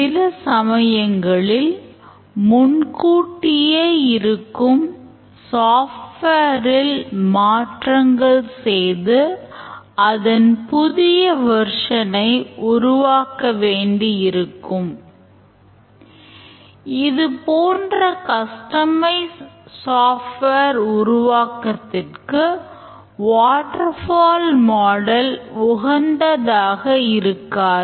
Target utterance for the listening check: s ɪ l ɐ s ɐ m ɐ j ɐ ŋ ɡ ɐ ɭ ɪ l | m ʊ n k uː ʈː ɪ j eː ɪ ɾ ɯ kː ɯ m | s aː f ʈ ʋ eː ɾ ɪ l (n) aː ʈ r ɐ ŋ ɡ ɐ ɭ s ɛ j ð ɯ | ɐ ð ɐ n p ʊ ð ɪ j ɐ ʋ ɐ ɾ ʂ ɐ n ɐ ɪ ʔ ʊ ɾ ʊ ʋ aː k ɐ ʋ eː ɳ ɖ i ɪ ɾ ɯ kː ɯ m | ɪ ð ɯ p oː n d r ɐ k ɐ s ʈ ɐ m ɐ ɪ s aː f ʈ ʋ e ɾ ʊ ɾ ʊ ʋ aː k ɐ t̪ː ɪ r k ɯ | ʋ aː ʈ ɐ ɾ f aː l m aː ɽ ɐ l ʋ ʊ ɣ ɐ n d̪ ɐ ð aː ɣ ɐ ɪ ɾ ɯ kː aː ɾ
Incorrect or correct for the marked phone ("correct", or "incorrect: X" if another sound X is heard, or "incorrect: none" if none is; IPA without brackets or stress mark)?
incorrect: m